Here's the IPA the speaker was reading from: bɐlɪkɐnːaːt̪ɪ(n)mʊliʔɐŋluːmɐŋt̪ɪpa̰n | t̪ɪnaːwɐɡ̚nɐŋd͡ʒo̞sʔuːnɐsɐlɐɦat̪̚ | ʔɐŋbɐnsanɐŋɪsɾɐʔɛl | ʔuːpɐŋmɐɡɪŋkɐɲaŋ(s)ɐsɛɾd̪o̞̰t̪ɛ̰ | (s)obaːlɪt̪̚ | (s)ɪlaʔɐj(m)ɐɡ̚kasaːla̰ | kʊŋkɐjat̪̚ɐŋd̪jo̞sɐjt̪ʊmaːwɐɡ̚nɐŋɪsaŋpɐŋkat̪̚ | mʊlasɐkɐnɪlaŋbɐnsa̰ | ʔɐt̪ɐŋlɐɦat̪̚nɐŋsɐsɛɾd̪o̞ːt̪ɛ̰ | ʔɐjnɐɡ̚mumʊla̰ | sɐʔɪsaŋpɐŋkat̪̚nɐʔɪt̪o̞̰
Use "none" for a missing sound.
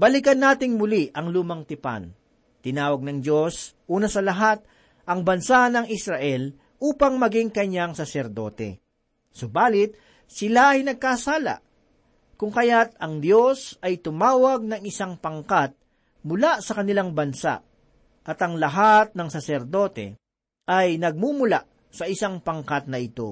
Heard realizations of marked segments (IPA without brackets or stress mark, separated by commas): ŋ, s, s, s, n